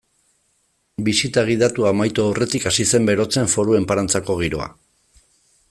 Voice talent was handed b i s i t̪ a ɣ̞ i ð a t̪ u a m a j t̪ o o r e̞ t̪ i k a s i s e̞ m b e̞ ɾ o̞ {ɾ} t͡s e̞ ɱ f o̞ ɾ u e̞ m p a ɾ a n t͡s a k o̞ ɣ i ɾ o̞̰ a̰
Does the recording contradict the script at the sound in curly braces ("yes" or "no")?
yes